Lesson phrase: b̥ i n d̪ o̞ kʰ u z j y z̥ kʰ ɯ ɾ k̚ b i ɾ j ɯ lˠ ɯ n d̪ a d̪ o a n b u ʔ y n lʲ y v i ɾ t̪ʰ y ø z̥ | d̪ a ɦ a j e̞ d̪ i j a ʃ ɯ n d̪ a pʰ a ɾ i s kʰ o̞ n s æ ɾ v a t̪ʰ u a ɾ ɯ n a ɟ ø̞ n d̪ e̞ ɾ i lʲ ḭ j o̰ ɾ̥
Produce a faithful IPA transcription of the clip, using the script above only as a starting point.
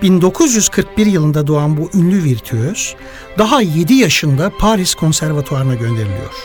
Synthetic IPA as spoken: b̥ i n d̪ o̞ kʰ u z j y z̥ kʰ ɯ ɾ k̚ b i ɾ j ɯ lˠ ɯ n d̪ a d̪ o a n b u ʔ y n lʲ y v i ɾ t̪ʰ y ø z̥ | d̪ a ɦ a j e̞ d̪ i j a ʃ ɯ n d̪ a pʰ a ɾ i s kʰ o̞ n s æ ɾ v a t̪ʰ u a ɾ ɯ n a ɟ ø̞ n d̪ e̞ ɾ i lʲ ḭ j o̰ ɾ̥